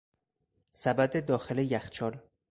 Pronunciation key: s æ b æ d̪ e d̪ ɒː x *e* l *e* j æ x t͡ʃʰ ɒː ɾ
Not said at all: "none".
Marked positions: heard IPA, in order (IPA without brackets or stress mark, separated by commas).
e, e